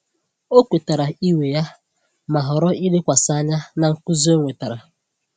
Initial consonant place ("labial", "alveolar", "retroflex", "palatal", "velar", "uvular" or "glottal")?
velar